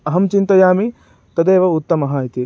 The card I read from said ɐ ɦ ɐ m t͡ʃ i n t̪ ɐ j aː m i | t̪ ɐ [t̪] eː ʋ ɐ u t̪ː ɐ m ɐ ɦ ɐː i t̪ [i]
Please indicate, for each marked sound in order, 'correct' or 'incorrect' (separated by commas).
incorrect, correct